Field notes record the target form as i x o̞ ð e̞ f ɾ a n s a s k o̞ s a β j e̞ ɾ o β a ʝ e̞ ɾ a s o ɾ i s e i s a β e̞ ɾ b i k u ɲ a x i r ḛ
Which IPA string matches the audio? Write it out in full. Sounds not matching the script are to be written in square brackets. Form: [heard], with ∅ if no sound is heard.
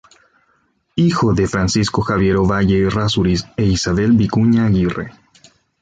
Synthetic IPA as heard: i x o̞ ð e̞ f ɾ a n s [i] s k o̞ [x] a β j e̞ ɾ o β a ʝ e̞ [r] a s [u] ɾ i s e i s a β e̞ [l] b i k u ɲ a [ɣ] i r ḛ